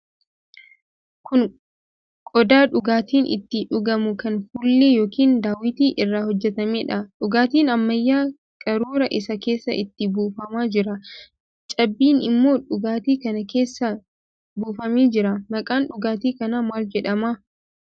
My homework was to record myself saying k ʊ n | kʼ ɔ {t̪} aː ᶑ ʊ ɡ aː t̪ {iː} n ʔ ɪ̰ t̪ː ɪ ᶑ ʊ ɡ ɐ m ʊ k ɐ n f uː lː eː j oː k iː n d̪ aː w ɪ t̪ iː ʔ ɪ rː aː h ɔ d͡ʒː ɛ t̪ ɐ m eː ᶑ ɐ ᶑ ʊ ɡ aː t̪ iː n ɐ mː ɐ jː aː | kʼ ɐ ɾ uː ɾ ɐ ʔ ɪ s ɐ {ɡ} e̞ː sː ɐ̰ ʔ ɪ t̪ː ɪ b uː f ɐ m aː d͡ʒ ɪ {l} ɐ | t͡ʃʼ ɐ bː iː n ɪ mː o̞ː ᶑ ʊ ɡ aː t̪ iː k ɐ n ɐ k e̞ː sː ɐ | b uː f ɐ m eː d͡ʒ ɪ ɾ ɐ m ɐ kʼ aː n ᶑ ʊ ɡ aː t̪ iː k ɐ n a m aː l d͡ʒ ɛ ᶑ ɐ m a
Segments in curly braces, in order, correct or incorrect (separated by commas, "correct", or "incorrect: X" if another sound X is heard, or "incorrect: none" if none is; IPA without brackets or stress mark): incorrect: d̪, correct, incorrect: k, incorrect: ɾ